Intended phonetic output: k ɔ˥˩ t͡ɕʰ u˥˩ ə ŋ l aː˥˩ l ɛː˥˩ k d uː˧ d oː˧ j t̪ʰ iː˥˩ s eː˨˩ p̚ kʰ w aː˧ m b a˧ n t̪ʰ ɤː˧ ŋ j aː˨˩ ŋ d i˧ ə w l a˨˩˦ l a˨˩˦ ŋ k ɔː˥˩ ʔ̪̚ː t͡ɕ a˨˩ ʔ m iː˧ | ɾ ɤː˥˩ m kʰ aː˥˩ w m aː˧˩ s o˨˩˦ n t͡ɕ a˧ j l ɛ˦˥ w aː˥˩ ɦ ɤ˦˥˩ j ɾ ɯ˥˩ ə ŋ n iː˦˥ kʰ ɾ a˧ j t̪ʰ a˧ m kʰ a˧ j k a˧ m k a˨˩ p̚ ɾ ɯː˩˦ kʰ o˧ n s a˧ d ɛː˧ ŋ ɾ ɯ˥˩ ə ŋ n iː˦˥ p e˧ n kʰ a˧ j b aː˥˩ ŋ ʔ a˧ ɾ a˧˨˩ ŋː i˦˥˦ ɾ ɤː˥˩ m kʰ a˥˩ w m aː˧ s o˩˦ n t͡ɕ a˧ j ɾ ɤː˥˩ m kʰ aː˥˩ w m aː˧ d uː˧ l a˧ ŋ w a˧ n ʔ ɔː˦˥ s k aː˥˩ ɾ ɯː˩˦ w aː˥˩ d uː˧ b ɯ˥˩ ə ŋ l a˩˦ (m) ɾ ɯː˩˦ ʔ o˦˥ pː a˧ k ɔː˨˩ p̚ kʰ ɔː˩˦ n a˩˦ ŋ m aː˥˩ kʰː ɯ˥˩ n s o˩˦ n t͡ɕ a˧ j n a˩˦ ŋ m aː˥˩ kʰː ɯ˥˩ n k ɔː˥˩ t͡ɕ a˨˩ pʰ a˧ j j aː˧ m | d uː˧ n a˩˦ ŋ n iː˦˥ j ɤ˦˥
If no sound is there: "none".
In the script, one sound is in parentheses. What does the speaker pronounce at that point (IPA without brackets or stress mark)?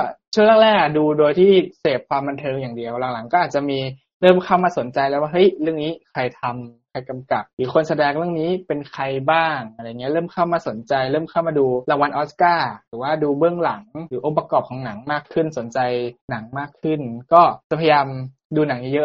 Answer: ŋ